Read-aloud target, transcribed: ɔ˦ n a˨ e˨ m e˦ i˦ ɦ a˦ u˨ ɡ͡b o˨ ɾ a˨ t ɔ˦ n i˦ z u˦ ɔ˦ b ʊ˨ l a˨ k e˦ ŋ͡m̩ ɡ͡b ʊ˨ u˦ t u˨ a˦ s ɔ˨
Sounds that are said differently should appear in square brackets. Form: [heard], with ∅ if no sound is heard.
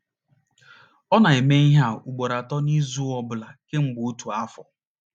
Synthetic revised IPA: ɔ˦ n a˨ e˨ m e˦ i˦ ɦ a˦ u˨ ɡ͡b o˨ ɾ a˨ t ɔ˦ n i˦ z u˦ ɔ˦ b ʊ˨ l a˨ k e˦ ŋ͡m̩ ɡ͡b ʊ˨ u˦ t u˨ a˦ [f] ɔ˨